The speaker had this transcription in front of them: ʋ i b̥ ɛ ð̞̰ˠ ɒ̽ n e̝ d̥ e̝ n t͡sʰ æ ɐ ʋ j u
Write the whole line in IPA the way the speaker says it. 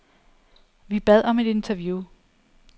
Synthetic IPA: ʋ i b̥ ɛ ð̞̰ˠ ɒ̽ m e̝ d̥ e̝ n t͡sʰ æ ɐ ʋ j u